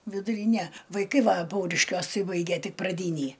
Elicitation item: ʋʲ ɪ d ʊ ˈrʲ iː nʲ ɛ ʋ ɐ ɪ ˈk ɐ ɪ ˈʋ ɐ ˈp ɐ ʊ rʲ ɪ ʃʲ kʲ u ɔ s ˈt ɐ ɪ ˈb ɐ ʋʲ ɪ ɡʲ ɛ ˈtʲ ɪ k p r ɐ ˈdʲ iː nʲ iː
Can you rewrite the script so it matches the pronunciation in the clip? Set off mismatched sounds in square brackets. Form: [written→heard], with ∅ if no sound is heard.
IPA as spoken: ʋʲ ɪ d ʊ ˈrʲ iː nʲ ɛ ʋ ɐ ɪ ˈk ɐ ɪ ˈʋ ɐ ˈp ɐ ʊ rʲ ɪ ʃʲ kʲ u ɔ s ˈt ɐ ɪ ˈb ɐ [ʋʲ→∅] ɪ ɡʲ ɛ ˈtʲ ɪ k p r ɐ ˈdʲ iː nʲ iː